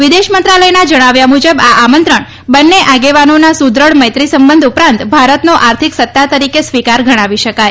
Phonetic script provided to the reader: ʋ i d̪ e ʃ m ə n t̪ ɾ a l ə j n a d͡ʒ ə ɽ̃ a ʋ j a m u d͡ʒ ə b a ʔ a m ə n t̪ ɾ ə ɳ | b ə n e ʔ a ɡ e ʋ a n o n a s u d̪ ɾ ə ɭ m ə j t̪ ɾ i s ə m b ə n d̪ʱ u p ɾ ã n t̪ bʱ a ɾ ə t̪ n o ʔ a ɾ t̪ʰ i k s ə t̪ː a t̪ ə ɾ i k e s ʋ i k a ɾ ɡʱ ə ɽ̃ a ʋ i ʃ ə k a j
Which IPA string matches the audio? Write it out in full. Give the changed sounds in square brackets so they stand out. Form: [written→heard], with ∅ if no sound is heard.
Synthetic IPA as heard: ʋ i d̪ e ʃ m ə n t̪ ɾ a l ə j n a d͡ʒ ə ɽ̃ a ʋ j a m u d͡ʒ ə b a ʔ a m ə n t̪ ɾ ə ɳ | b ə [n→nː] e ʔ a ɡ e ʋ a n o n a s u d̪ ɾ ə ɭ m ə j t̪ ɾ i s ə m b ə n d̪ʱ u p ɾ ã n t̪ bʱ a ɾ ə t̪ n o ʔ a ɾ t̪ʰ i k s ə t̪ː a t̪ ə ɾ i k e s ʋ i k a ɾ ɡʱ ə ɽ̃ a ʋ i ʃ ə k a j